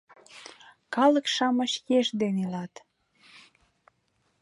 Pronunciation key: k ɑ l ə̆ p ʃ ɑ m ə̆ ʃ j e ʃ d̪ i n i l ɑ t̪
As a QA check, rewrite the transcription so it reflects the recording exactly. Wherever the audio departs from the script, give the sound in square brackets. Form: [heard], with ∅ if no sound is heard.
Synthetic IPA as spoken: k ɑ l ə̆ [k] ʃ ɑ m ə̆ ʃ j e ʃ d̪ [e] n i l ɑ t̪

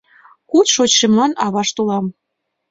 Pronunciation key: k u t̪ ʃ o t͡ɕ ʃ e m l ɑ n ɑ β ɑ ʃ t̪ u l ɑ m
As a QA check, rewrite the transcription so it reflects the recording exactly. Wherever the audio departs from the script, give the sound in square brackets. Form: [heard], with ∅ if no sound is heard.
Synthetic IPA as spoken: k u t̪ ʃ o t͡ɕ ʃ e m l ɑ n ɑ β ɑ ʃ t̪ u l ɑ m

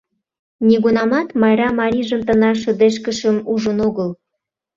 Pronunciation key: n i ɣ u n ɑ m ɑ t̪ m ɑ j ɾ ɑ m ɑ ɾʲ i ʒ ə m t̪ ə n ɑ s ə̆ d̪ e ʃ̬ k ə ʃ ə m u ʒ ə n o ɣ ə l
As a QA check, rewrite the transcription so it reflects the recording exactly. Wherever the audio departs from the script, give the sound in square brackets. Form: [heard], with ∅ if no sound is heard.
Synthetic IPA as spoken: n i ɣ u n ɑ m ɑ t̪ m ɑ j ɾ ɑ m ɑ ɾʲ i ʒ ə m t̪ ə n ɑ [ʃ] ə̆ d̪ e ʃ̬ k ə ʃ ə m u ʒ ə n o ɣ ə l

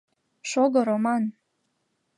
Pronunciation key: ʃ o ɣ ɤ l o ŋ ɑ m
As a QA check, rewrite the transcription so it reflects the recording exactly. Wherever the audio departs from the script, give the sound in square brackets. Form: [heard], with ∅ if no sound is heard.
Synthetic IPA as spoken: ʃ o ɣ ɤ [ɾ] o [m] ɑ [n]

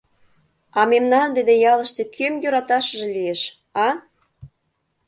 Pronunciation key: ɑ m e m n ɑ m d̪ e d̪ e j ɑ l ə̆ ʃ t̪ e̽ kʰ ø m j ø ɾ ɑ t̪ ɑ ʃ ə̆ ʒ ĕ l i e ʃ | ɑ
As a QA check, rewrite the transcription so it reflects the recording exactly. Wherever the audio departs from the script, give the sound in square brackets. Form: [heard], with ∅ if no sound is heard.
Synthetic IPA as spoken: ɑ m e m n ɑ [n] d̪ e d̪ e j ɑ l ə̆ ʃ t̪ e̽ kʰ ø m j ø ɾ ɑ t̪ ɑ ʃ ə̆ ʒ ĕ l i e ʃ | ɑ

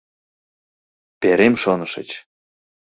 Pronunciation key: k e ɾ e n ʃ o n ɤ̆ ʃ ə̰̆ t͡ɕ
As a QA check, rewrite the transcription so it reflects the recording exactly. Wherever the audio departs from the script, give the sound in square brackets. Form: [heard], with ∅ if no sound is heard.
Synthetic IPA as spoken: [p] e ɾ e [m] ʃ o n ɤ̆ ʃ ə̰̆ t͡ɕ

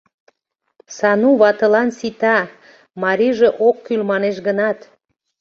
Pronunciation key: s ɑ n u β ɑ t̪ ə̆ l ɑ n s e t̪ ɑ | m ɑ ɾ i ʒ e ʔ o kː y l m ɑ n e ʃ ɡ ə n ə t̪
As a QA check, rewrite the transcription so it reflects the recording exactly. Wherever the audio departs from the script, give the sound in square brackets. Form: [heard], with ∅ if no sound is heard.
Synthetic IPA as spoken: s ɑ n u β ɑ t̪ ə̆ l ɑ n s [i] t̪ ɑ | m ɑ ɾ i ʒ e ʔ o kː y l m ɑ n e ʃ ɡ ə n [ɑ] t̪

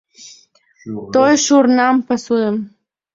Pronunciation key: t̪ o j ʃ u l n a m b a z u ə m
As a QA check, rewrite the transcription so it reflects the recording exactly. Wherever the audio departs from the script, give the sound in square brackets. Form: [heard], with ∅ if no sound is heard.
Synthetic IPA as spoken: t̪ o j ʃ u [ɾ] n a m [p] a [s] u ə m

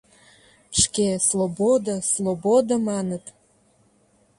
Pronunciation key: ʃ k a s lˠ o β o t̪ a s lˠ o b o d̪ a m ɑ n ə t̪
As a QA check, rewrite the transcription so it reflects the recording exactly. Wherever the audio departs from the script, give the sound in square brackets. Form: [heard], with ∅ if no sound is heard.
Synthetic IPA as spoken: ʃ k [e] s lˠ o [b] o [d̪] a s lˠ o b o d̪ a m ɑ n ə t̪

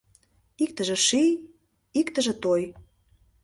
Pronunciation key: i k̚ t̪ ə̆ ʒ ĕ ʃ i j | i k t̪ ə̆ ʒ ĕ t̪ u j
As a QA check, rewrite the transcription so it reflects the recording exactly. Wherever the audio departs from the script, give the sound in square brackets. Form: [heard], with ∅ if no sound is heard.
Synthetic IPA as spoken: i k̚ t̪ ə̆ ʒ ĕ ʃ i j | i k t̪ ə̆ ʒ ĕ t̪ [o] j

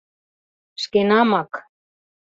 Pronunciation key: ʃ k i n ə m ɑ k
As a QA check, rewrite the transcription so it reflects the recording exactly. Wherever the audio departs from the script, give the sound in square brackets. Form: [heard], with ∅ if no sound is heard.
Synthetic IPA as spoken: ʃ k [e] n [ɑ] m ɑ k

